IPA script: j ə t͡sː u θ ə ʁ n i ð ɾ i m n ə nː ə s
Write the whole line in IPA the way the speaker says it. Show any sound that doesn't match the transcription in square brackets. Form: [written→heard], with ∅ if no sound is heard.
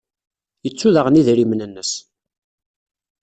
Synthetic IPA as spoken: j ə t͡sː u [θ→ð] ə ʁ n i ð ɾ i m n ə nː ə s